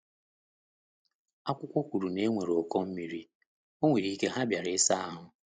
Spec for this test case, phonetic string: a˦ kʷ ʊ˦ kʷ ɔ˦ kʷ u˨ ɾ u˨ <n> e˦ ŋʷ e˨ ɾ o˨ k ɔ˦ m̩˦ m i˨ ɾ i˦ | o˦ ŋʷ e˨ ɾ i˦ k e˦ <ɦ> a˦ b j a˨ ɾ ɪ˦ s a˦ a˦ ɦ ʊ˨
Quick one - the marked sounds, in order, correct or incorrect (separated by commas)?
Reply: correct, correct